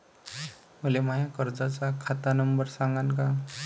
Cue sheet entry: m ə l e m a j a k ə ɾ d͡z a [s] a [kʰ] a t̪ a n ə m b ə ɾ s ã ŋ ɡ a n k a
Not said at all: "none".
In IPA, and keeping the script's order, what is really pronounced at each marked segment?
t͡s, kʰ

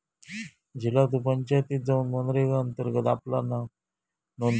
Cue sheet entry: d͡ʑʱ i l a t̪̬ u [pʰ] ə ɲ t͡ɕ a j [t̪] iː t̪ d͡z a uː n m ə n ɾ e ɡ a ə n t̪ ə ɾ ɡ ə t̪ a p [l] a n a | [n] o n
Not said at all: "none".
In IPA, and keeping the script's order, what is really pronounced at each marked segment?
p, t̪, l, n

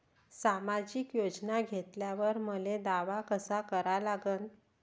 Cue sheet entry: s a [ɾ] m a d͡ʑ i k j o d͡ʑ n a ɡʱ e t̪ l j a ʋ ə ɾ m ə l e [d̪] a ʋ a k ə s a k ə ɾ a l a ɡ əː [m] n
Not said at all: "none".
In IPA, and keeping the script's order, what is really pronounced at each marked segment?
none, d̪, none

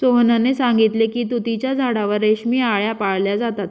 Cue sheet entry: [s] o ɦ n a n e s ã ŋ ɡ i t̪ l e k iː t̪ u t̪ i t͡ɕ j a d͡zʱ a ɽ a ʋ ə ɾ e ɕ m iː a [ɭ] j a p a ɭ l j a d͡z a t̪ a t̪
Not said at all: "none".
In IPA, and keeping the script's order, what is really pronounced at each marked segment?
s, ɭ

